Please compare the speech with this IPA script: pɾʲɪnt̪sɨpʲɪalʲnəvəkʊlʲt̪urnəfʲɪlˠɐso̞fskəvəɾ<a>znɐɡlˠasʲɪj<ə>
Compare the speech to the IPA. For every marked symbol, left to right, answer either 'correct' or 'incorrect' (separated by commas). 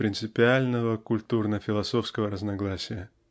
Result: incorrect, correct